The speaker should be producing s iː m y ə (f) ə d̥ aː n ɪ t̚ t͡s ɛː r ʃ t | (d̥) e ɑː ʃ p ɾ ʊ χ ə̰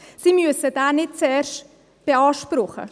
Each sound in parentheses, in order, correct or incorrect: incorrect, incorrect

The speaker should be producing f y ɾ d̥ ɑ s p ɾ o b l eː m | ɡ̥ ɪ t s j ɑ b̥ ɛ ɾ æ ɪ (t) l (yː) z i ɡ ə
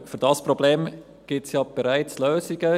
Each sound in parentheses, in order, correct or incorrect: incorrect, incorrect

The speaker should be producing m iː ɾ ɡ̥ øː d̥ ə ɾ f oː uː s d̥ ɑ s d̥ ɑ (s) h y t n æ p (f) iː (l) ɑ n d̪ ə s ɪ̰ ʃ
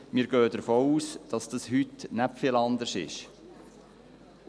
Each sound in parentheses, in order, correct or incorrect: correct, correct, correct

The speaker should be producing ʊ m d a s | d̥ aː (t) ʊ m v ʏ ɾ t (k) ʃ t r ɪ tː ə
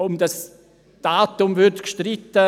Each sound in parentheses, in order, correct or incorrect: correct, correct

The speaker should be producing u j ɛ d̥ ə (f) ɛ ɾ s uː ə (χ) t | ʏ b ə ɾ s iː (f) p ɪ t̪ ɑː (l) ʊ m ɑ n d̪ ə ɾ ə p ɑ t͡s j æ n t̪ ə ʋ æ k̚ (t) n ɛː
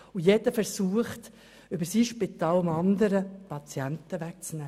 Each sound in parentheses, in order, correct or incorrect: correct, correct, incorrect, correct, incorrect

